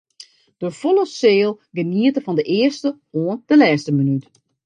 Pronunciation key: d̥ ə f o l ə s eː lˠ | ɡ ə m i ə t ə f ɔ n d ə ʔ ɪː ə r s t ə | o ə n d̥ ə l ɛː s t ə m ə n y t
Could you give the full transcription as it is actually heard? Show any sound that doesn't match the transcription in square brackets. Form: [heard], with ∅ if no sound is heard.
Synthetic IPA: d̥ ə f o l ə s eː lˠ | ɡ ə [n] i ə t ə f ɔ n d ə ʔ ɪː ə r s t ə | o ə n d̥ ə l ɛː s t ə m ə n y t